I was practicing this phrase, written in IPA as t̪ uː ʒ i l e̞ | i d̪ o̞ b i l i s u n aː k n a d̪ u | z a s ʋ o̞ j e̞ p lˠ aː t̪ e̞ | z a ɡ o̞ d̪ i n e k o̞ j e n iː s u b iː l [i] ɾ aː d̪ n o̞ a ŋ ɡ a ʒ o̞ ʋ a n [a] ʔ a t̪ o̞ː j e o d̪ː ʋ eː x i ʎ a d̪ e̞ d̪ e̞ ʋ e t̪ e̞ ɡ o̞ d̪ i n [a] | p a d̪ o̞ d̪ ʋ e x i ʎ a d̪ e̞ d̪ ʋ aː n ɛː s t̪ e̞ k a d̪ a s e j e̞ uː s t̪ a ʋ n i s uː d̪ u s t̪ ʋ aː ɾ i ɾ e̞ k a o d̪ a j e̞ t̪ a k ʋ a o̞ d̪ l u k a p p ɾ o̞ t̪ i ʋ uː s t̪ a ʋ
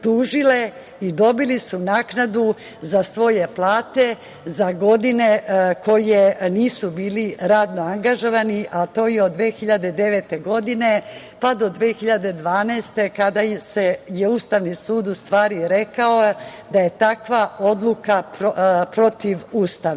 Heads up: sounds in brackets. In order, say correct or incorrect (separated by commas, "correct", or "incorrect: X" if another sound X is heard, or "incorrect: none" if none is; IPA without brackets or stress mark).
correct, incorrect: i, incorrect: e